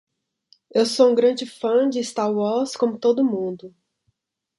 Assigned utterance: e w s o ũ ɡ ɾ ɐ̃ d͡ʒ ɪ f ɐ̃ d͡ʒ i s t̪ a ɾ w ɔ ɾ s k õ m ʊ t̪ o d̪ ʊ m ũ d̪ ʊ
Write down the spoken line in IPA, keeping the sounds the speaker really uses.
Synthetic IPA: e w s o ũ ɡ ɾ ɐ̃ d͡ʒ ɪ f ɐ̃ d͡ʒ ɪ s t̪ a ɾ w ɔ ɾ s k õ m ʊ t̪ o d̪ ʊ m ũ d̪ ʊ